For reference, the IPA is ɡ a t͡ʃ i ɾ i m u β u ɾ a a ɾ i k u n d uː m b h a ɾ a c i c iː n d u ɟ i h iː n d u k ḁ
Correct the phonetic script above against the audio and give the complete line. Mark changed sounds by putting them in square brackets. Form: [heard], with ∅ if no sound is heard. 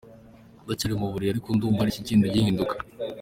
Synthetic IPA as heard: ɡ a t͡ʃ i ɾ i m u β u ɾ [i] a ɾ i k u n d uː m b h a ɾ [i] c i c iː n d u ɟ i h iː n d u k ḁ